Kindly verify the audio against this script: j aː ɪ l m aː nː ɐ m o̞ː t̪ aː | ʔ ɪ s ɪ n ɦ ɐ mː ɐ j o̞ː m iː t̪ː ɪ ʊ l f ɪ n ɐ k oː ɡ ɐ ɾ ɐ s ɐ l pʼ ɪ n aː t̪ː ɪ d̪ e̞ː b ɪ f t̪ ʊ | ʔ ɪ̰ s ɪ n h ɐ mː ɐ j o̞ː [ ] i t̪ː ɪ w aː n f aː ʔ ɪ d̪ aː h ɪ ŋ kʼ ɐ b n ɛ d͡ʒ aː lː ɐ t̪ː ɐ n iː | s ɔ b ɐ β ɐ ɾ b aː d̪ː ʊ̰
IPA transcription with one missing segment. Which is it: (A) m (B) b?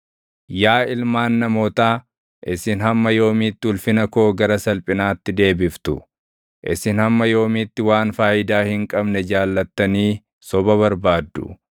A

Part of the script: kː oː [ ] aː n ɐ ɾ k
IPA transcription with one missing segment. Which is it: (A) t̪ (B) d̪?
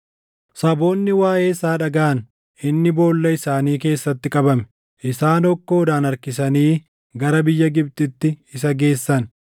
B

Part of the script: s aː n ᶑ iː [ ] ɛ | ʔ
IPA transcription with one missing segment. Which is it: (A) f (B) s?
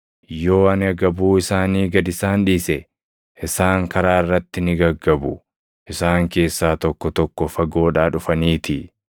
B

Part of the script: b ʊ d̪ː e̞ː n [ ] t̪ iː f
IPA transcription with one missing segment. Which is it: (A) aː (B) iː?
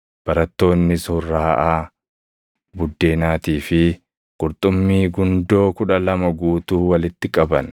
A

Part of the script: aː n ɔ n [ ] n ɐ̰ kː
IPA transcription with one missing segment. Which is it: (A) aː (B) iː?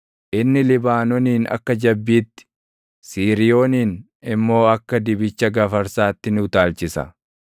B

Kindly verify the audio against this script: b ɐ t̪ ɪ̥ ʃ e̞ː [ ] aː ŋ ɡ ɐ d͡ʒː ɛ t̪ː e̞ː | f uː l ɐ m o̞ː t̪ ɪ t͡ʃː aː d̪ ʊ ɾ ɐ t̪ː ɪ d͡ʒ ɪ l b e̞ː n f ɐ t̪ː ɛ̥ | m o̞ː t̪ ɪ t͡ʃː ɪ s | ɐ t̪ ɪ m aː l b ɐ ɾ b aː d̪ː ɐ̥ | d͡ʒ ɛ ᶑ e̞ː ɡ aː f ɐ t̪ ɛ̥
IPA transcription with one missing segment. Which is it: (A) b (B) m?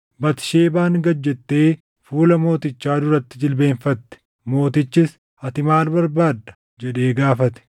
A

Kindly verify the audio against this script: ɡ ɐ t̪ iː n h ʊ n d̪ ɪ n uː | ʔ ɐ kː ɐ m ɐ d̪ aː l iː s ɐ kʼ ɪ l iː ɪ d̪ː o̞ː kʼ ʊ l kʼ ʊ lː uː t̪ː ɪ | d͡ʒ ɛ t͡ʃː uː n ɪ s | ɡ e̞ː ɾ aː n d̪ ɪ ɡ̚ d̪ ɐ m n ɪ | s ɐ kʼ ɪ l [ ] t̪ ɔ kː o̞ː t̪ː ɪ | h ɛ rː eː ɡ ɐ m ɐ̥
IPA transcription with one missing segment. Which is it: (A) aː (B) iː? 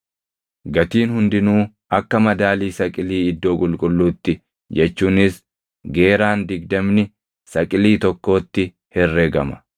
B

